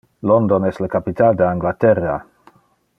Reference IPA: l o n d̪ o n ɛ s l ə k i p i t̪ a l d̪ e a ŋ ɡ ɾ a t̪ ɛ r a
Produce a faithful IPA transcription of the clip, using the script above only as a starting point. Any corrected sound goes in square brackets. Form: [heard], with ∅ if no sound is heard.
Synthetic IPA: l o n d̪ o n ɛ s l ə k [a] p i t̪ a l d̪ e a ŋ ɡ [l] a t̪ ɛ r a